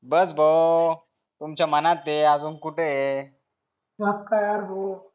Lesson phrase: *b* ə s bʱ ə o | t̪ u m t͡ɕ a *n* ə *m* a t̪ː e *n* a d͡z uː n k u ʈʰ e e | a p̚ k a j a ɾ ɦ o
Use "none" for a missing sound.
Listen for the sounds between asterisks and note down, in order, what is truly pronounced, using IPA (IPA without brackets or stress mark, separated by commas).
b, m, n, none